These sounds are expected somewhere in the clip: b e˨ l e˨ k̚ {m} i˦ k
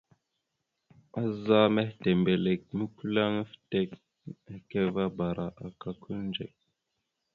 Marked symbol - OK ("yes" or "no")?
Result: yes